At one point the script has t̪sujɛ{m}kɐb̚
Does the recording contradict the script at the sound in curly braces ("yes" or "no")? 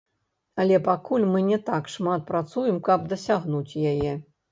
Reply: no